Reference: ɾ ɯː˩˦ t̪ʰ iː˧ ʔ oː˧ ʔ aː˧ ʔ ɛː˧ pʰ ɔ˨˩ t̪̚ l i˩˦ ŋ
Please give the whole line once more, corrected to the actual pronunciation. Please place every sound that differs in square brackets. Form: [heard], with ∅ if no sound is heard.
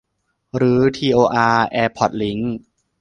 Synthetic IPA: ɾ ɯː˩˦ t̪ʰ iː˧ ʔ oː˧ ʔ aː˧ ʔ ɛː˧ pʰ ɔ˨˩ t̪̚ l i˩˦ ŋ